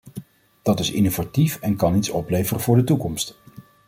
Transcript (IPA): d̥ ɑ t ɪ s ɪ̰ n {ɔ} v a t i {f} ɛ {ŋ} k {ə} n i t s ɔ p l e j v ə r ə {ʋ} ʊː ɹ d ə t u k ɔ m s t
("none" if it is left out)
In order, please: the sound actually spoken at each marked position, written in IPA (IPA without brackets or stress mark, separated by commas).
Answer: o, f, n, ɑ, v